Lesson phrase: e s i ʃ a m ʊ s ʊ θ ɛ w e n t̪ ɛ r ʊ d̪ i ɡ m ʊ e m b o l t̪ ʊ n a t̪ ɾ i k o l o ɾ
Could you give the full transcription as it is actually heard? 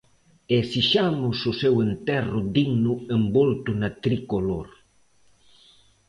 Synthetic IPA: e s i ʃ a m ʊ s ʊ s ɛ w e n t̪ ɛ r ʊ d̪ i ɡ n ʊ e m b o l t̪ ʊ n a t̪ ɾ i k o l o ɾ